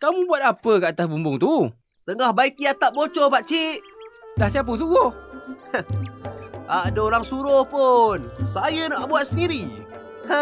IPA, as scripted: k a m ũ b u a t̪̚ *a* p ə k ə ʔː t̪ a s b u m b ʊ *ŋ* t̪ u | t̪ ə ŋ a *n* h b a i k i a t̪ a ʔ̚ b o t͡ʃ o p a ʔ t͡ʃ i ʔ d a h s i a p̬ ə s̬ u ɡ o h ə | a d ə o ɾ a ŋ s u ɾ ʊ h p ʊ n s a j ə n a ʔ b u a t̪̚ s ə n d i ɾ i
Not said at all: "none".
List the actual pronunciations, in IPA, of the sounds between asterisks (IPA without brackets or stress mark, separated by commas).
a, ŋ, none